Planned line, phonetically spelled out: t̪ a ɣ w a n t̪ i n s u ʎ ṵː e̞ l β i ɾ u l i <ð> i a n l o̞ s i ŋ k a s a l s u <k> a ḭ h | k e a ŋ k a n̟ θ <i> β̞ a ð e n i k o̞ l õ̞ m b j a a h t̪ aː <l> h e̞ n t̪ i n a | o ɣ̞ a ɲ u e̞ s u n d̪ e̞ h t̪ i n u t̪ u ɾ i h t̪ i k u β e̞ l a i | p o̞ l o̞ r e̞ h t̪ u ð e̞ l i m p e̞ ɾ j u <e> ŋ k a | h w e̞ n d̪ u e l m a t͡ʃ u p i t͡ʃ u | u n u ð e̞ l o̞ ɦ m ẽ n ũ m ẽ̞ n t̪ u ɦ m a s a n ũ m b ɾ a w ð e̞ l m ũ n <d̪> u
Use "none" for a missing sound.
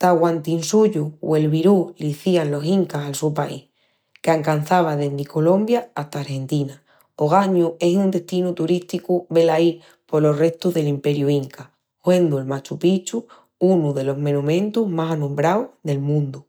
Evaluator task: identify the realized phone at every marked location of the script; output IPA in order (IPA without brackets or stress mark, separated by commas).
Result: θ, p, a, ɾ, i, d̪